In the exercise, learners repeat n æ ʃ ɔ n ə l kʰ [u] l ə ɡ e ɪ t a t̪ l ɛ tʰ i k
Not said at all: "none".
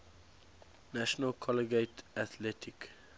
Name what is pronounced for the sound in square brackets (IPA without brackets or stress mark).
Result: ɔ